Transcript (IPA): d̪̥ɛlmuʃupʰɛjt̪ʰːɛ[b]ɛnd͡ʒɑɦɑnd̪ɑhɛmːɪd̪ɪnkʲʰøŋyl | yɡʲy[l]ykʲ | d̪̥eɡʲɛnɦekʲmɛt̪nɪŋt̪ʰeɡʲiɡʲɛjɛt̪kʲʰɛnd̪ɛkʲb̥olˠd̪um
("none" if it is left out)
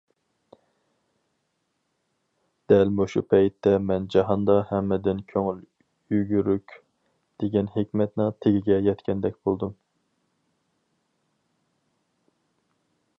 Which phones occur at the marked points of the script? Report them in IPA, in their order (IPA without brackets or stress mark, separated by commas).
m, ɾ